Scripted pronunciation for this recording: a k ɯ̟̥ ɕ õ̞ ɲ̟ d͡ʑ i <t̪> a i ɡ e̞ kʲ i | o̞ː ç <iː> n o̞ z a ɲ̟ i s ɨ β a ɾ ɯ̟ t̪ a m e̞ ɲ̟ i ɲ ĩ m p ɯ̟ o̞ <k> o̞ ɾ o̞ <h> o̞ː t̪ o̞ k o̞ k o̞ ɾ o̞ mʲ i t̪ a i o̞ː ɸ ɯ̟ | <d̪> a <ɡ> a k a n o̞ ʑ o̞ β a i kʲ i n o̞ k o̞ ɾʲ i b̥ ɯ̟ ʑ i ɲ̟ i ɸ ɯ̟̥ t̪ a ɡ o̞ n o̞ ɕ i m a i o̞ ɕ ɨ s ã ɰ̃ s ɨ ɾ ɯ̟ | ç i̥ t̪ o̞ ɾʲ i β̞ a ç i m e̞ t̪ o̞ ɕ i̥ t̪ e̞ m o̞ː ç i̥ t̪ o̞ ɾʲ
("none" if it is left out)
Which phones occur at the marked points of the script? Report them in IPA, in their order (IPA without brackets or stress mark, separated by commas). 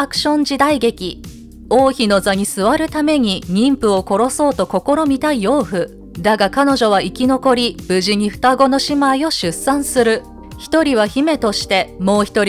d̪, i, k, s, d̪, ɡ